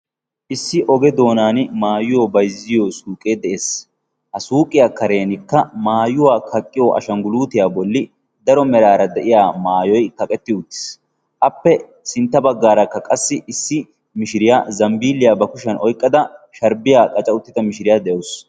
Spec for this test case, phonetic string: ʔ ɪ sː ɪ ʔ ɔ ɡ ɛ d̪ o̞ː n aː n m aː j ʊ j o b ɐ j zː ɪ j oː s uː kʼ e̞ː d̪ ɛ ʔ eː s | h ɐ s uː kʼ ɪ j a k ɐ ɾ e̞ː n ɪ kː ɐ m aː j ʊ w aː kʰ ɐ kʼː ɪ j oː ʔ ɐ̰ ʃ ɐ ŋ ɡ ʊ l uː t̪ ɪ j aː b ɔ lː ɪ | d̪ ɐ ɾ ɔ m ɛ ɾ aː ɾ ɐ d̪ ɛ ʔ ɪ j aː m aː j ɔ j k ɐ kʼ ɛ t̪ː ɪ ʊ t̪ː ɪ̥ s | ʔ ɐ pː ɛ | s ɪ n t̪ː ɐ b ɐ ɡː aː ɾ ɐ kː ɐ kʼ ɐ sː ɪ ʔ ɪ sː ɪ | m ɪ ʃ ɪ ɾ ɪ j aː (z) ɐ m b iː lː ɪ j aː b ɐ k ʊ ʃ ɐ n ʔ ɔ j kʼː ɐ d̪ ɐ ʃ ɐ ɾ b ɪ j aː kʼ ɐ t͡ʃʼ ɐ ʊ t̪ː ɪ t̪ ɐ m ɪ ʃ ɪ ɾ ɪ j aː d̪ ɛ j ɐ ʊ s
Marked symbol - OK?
yes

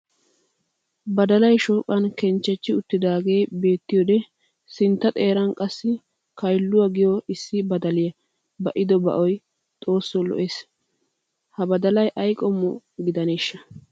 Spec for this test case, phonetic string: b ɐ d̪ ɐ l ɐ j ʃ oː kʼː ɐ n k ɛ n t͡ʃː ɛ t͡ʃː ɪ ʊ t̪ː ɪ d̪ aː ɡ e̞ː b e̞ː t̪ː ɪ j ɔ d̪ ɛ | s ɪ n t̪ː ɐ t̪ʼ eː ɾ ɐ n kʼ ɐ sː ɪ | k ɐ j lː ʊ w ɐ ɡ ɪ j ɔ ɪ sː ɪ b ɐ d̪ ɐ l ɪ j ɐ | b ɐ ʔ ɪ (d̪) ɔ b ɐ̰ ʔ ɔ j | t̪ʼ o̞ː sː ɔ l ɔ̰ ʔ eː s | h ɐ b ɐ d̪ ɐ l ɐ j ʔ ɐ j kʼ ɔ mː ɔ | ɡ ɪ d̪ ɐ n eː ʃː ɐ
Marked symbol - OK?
yes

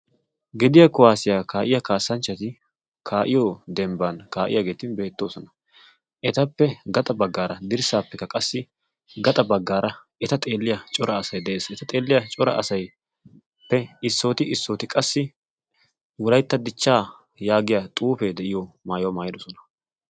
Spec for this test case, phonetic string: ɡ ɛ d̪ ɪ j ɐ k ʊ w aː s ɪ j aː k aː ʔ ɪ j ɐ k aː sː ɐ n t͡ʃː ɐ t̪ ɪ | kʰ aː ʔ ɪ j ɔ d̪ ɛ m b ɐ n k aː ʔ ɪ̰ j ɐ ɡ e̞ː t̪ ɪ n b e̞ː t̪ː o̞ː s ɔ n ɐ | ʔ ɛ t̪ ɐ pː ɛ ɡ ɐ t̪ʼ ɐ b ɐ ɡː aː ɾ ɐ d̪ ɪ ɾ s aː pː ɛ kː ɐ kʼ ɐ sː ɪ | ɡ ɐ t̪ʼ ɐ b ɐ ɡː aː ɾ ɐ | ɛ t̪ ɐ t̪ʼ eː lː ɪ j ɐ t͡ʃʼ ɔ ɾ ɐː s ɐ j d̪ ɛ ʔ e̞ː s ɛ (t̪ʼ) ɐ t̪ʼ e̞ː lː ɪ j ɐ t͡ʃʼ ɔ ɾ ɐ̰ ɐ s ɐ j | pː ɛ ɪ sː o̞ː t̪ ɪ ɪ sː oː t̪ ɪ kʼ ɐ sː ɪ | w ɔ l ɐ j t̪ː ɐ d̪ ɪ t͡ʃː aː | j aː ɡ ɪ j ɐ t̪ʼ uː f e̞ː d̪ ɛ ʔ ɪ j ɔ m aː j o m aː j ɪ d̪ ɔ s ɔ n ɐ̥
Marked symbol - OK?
no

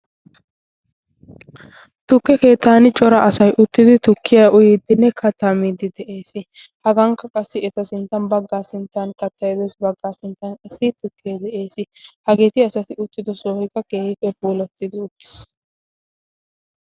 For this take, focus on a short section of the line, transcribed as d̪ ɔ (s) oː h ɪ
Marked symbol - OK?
yes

